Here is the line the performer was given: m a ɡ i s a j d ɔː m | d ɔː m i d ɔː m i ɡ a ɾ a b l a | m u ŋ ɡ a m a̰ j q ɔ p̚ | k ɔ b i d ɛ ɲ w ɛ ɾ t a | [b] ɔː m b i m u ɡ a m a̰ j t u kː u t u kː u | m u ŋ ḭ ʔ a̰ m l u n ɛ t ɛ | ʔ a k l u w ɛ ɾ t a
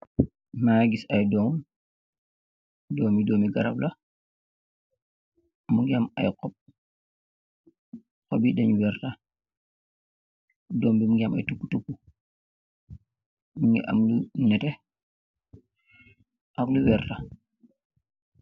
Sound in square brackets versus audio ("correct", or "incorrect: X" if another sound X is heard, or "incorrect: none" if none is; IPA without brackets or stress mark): incorrect: d